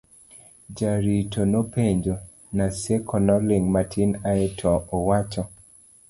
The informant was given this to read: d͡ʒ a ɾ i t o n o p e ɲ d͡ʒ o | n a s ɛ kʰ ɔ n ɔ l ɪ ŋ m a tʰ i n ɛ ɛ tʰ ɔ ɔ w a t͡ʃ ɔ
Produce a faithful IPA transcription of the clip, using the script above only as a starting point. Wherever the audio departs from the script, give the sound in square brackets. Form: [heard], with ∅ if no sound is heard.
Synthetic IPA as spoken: d͡ʒ a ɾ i t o n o p e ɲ d͡ʒ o | n a s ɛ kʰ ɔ n ɔ l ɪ ŋ m a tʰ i n [a] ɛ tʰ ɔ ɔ w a t͡ʃ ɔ